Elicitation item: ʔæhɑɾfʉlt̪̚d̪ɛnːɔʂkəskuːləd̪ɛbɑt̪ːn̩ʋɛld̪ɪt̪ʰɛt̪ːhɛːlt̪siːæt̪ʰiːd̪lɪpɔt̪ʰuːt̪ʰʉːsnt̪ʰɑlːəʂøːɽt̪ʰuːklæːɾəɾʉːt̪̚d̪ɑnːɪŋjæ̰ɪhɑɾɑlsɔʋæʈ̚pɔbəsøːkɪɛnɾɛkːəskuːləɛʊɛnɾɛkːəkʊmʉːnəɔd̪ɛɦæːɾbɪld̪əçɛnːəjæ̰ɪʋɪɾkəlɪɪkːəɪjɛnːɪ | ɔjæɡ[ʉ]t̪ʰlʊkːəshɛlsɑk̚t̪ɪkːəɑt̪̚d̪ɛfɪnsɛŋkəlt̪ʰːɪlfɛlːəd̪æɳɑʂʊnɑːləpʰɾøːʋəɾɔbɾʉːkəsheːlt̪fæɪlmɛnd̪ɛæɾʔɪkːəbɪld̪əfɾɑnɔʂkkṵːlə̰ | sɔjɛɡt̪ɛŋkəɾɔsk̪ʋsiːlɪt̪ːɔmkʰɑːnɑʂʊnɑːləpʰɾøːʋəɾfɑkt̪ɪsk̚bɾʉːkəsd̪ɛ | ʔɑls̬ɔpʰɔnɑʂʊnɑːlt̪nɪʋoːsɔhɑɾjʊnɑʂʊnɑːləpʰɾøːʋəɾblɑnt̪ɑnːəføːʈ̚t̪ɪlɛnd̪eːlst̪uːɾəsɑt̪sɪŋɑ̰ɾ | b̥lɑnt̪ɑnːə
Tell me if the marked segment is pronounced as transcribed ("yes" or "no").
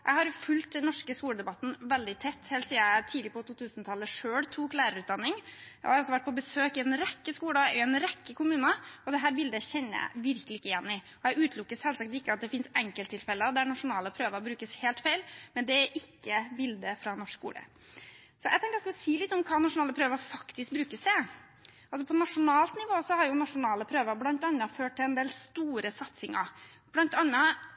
no